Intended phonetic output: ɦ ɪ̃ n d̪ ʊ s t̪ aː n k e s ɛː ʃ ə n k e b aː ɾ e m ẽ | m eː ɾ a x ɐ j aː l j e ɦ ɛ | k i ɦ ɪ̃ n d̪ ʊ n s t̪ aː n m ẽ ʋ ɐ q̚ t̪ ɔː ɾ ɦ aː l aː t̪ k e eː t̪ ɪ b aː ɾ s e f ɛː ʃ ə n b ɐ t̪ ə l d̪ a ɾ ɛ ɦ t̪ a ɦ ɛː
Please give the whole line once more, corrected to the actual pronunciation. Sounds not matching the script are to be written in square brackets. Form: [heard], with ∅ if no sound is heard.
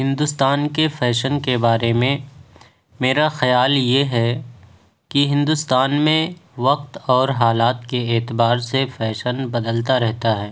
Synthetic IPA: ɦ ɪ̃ n d̪ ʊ s t̪ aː n k e [f] ɛː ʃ ə n k e b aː ɾ e m ẽ | m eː ɾ a x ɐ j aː l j e ɦ ɛ | k i ɦ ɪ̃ n d̪ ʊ [∅] s t̪ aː n m ẽ ʋ ɐ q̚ t̪ ɔː ɾ ɦ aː l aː t̪ k e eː t̪ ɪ b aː ɾ s e f ɛː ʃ ə n b ɐ [d̪] ə l [t̪] a ɾ ɛ ɦ t̪ a ɦ ɛː